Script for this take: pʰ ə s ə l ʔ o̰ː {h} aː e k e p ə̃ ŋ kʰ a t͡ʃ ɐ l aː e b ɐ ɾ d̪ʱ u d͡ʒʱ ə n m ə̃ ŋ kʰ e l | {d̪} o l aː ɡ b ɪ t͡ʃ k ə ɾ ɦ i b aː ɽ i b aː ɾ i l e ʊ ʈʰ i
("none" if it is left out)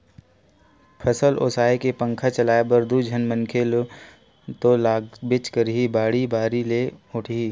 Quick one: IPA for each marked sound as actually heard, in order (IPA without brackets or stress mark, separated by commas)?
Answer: s, t̪